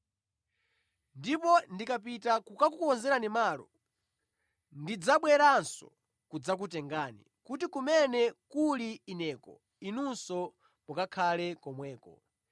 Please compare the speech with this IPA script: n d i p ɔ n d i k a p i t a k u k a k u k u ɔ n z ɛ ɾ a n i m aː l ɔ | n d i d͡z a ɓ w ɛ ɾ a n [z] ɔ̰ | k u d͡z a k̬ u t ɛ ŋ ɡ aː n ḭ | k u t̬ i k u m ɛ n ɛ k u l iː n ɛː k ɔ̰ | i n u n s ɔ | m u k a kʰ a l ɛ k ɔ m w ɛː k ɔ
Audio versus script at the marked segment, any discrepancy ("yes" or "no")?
yes